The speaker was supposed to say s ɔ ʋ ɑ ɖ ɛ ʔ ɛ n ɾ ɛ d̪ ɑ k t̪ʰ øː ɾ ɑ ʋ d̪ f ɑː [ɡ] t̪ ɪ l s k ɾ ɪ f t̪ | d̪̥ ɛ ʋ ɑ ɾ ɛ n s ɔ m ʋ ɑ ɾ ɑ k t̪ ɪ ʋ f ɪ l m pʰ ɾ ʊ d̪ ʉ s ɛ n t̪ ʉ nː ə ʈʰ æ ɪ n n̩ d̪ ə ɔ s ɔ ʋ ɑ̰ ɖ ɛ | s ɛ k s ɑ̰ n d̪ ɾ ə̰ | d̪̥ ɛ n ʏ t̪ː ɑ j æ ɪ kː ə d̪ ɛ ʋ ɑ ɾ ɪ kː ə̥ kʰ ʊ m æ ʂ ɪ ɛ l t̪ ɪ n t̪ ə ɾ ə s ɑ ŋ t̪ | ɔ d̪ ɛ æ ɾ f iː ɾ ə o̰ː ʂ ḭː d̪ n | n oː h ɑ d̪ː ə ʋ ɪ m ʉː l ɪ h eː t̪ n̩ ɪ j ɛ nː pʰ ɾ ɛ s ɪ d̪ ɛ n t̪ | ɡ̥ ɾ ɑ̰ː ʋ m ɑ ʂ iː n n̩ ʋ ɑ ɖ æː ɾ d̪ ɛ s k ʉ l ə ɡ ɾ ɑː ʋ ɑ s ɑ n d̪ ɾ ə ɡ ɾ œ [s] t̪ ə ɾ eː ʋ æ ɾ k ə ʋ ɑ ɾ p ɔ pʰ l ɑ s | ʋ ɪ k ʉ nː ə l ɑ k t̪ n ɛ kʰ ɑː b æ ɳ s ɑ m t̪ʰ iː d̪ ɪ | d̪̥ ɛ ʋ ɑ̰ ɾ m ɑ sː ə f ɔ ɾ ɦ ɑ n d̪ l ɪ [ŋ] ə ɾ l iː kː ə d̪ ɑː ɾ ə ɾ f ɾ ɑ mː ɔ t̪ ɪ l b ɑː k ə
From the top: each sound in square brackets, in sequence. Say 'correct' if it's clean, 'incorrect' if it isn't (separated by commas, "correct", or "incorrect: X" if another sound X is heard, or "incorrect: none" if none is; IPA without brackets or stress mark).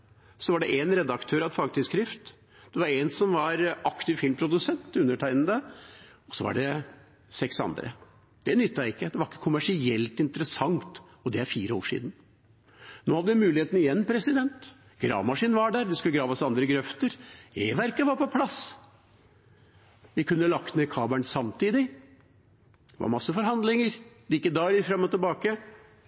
correct, incorrect: f, correct